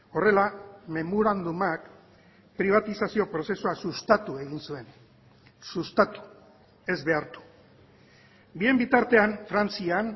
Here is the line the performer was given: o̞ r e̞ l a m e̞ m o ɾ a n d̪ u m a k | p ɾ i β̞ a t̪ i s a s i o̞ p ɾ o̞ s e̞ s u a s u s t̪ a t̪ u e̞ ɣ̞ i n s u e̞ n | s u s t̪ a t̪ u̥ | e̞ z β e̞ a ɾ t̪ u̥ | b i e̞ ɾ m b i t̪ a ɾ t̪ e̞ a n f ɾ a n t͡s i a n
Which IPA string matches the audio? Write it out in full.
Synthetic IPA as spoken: o̞ r e̞ l a m e̞ m o ɾ a n d̪ u m a k | p ɾ i β̞ a t̪ i s a s i o̞ p ɾ o̞ s e̞ s u a s u s t̪ a t̪ u e̞ ɣ̞ i n s u e̞ n | s u s t̪ a t̪ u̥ | e̞ z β e̞ a ɾ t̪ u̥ | b i e̞ m b i t̪ a ɾ t̪ e̞ a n f ɾ a n t͡s i a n